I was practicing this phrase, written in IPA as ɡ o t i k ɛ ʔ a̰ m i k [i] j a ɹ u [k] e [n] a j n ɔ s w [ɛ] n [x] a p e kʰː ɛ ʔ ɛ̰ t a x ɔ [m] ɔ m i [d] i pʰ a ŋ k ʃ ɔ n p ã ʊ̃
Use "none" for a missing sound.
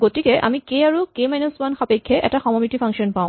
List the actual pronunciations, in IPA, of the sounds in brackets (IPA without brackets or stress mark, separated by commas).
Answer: e, k, m, a, x, m, t